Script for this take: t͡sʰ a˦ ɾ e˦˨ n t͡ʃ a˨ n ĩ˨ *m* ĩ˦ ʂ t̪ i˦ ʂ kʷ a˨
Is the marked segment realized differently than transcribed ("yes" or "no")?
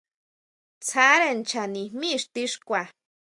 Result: no